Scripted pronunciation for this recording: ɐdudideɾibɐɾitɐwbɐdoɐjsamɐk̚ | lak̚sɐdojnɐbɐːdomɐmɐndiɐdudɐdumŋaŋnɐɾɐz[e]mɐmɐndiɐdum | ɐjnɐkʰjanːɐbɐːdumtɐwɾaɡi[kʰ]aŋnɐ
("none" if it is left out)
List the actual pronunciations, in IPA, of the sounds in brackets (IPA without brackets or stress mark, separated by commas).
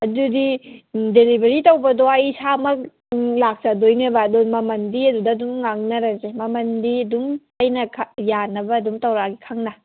e, kʰ